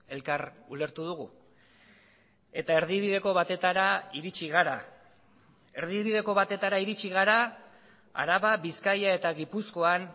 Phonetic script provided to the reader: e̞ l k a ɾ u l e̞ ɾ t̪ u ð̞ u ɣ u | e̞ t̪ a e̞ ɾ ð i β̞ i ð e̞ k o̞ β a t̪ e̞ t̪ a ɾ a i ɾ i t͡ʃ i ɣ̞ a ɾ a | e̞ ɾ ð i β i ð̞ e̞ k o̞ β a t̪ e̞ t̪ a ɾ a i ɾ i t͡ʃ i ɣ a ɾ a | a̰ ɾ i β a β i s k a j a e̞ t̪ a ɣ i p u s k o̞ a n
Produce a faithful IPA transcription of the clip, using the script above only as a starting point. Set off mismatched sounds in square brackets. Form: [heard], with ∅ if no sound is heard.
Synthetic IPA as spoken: e̞ l k a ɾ u l e̞ ɾ t̪ u ð̞ u ɣ u | e̞ t̪ a e̞ ɾ ð i β̞ i ð e̞ k o̞ β a t̪ e̞ t̪ a ɾ a i ɾ i t͡ʃ i ɣ̞ a ɾ a | e̞ ɾ ð i β i ð̞ e̞ k o̞ β a t̪ e̞ t̪ a ɾ a i ɾ i t͡ʃ i ɣ a ɾ a | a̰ ɾ [a] β a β i s k a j a e̞ t̪ a ɣ i p u s k o̞ a n